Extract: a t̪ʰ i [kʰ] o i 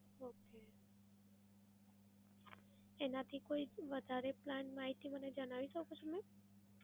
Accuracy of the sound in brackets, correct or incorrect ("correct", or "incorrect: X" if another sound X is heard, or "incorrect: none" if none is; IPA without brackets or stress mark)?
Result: incorrect: k